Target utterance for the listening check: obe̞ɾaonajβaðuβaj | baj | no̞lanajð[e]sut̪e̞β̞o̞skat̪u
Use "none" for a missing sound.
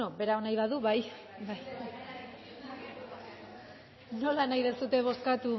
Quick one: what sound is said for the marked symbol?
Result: e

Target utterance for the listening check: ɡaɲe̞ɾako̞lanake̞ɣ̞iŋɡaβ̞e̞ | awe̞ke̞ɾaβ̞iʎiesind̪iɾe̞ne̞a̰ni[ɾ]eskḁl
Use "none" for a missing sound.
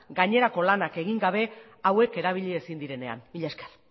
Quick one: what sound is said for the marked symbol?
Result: ʎ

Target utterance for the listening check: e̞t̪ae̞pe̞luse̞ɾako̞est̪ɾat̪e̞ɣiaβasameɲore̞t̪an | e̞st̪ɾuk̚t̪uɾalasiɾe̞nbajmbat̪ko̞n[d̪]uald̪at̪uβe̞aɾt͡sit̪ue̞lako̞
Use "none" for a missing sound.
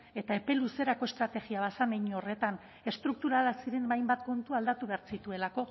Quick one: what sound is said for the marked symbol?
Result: t̪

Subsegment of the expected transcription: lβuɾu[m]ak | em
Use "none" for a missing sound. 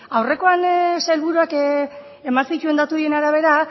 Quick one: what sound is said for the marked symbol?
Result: none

